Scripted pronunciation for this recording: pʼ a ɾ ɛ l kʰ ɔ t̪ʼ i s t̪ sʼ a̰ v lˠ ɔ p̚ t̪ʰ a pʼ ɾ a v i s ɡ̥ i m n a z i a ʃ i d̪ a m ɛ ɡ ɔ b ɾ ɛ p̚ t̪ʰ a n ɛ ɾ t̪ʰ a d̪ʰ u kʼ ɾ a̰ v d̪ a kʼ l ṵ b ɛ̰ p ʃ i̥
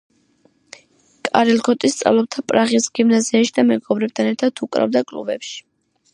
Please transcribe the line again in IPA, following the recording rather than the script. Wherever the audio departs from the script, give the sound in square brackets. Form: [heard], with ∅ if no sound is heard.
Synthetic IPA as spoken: [kʼ] a ɾ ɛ l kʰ ɔ t̪ʼ i s t̪ sʼ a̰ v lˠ ɔ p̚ t̪ʰ a pʼ ɾ a [ʁ] i s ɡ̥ i m n a z i a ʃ i d̪ a m ɛ ɡ ɔ b ɾ ɛ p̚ t̪ʰ a n ɛ ɾ t̪ʰ a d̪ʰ u kʼ ɾ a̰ v d̪ a kʼ l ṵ b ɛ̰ p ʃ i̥